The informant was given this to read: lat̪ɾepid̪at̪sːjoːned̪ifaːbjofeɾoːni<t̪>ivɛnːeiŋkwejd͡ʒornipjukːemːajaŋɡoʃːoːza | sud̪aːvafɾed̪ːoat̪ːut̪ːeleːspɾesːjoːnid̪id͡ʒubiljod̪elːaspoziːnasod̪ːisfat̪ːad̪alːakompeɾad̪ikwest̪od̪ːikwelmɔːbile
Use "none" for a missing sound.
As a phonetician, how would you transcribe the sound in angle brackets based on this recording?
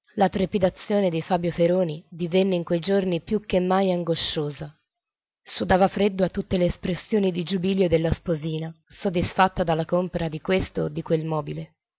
d̪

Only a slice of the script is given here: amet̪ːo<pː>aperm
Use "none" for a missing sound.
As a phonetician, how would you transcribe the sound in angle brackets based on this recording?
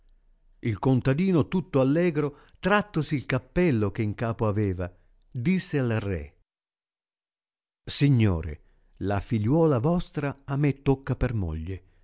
kː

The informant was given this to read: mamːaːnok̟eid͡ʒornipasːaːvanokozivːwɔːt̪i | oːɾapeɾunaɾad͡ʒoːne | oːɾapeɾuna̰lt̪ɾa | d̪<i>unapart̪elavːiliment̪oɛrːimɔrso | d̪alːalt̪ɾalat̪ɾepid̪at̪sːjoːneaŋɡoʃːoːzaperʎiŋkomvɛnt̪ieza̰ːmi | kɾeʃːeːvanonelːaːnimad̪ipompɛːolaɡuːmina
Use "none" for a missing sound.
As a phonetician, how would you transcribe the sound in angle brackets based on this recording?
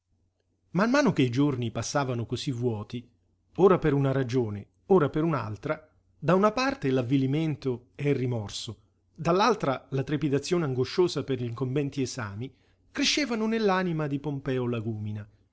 a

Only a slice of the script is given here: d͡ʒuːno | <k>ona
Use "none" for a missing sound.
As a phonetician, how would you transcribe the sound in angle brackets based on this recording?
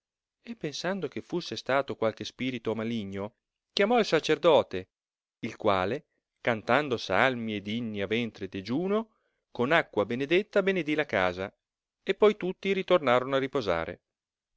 k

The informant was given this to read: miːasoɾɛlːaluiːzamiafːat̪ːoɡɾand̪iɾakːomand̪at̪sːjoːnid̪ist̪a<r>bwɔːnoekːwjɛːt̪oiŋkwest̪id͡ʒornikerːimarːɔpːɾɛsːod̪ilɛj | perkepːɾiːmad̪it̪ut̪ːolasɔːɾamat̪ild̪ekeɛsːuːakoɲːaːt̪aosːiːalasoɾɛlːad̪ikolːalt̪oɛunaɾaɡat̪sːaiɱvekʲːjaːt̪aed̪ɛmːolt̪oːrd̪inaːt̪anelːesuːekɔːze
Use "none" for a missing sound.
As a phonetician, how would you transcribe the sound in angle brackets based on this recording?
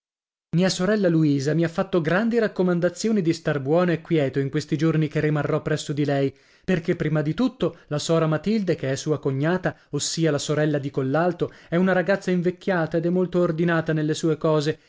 r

